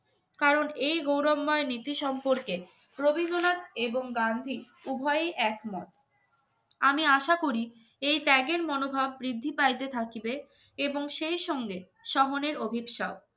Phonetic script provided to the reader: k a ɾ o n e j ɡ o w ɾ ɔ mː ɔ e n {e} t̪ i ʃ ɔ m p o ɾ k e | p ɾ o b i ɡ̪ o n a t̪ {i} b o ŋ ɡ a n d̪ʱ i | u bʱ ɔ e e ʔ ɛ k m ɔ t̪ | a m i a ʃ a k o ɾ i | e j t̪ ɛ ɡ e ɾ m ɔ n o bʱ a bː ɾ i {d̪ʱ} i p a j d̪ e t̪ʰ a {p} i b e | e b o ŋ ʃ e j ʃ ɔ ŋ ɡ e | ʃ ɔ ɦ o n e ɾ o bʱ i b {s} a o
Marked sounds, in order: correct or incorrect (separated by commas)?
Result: incorrect, incorrect, incorrect, incorrect, incorrect